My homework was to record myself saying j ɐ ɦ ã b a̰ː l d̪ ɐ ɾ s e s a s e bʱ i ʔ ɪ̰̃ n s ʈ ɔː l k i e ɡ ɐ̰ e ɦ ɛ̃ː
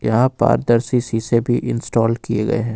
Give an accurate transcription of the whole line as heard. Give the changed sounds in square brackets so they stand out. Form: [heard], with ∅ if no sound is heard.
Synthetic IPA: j ɐ ɦ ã [p] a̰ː [ɾ] d̪ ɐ ɾ s [i] s [i] s e bʱ i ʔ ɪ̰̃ n s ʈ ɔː l k i e ɡ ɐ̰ e ɦ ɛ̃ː